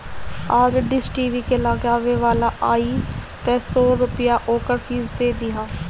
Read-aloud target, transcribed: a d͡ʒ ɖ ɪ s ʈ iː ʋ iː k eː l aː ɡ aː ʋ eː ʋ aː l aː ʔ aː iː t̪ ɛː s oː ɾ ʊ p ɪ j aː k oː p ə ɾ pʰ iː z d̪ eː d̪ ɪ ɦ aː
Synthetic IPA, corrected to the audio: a d͡ʒ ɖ ɪ s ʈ iː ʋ iː k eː l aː ɡ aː ʋ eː ʋ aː l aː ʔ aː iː t̪ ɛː s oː ɾ ʊ p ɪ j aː ʔ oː k ə ɾ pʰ iː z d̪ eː d̪ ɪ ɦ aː